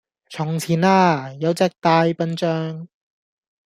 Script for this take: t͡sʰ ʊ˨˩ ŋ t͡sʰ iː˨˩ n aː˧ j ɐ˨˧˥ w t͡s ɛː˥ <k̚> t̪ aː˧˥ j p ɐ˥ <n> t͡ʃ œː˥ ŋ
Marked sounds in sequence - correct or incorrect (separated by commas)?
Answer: correct, correct